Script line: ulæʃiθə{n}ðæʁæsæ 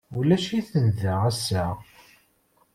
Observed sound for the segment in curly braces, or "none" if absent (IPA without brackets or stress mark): n